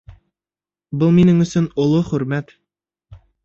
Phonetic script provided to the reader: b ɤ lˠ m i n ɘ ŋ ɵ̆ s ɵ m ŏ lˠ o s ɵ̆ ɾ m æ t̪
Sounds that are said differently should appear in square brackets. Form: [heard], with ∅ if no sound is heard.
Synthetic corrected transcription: b ɤ lˠ m i n ɘ ŋ ɵ̆ s ɵ [n] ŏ lˠ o [χ] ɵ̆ ɾ m æ t̪